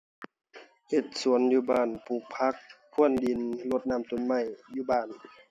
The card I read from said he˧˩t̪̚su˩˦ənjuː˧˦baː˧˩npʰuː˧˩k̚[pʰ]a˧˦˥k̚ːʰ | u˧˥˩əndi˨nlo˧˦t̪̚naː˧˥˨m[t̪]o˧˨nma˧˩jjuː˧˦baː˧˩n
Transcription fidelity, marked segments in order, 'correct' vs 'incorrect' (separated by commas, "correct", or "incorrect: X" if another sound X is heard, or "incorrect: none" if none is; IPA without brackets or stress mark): correct, correct